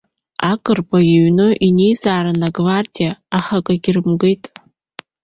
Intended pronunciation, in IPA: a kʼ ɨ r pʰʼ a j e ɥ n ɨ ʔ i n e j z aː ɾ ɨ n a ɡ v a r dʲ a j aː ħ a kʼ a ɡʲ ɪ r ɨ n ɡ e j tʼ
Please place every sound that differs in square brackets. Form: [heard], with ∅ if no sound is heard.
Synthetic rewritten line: a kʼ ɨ r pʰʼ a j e ɥ n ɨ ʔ i n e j z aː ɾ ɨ n a ɡ v a r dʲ [i] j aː [χ] a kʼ a ɡʲ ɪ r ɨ [m] ɡ e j tʼ

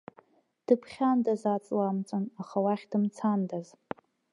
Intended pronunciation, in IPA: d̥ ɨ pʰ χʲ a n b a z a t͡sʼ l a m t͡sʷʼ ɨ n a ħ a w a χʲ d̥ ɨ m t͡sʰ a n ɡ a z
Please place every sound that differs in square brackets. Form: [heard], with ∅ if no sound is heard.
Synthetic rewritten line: d̥ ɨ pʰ χʲ a n [d] a z a t͡sʼ l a m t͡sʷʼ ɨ n a [χ] a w a χʲ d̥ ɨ m t͡sʰ a n [d] a z

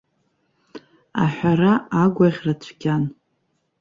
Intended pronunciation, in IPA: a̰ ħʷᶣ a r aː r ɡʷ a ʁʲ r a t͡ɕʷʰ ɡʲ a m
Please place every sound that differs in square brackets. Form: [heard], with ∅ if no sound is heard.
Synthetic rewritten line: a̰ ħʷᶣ a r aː [∅] ɡʷ a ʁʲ r a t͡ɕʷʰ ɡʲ a [n]

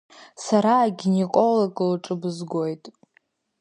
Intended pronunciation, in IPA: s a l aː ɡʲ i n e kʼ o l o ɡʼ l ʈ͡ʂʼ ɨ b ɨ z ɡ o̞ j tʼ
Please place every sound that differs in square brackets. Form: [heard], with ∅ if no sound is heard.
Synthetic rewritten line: s a [ɾ] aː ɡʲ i n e kʼ o l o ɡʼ l ʈ͡ʂʼ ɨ b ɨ z ɡ o̞ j tʼ

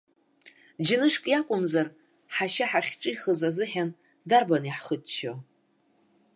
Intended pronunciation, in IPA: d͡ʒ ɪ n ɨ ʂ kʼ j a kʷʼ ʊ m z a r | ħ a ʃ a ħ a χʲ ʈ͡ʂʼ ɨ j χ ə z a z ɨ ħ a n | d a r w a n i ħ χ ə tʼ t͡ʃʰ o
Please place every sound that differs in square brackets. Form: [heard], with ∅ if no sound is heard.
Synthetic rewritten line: d͡ʒ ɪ n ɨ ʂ kʼ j a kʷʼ ʊ m z a r | ħ a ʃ a ħ a χʲ ʈ͡ʂʼ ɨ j χ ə z a z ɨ ħ a n | d a r [b] a n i ħ χ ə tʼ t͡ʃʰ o

